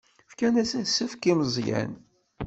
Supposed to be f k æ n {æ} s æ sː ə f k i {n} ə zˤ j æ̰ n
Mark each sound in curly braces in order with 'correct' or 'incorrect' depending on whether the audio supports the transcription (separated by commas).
correct, incorrect